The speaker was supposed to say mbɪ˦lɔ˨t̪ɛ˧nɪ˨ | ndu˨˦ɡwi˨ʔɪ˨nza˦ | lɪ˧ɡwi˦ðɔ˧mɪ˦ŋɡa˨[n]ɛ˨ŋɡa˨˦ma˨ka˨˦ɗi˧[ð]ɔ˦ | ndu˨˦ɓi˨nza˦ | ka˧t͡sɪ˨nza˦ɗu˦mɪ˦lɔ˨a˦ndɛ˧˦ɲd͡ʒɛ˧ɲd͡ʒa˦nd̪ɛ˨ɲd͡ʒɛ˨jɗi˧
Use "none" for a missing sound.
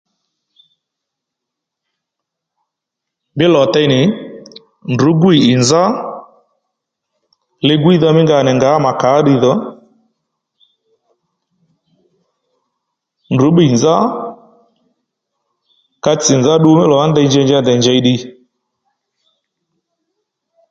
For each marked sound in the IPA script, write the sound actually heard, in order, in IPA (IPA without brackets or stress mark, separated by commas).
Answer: n, ð